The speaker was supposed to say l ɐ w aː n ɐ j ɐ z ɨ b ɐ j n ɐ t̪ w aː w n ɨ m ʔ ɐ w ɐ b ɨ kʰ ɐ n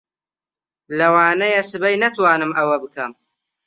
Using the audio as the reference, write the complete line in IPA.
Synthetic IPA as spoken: l ɐ w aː n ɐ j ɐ s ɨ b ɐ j n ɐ t̪ w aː n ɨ m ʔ ɐ w ɐ b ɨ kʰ ɐ m